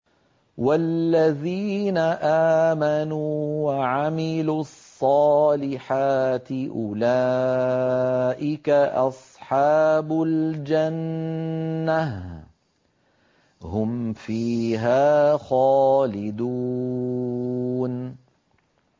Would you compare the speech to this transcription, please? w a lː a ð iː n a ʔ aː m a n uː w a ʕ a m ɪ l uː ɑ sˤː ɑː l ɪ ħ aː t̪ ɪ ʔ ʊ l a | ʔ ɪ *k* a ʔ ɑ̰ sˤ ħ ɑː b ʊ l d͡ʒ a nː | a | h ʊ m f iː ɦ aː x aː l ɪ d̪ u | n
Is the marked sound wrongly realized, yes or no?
no